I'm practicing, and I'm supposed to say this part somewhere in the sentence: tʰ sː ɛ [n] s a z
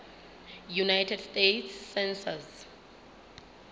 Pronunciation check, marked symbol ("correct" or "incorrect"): correct